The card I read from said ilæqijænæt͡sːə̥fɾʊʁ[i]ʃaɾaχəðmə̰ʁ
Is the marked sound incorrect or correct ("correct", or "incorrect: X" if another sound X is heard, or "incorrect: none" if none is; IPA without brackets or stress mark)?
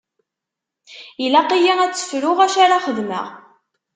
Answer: incorrect: æ